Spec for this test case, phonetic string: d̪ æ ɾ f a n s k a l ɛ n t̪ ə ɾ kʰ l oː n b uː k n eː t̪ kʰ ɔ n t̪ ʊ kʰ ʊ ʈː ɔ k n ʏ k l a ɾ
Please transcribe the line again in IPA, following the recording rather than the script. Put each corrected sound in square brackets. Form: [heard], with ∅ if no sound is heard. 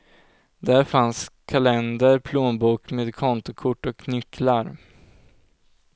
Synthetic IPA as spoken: d̪ æ ɾ f a n s [kʰ] a l ɛ n [d̪] ə ɾ [pʰ] l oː n b uː k [m] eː [d̪] kʰ ɔ n t̪ ʊ kʰ ʊ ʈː ɔ k n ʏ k l a ɾ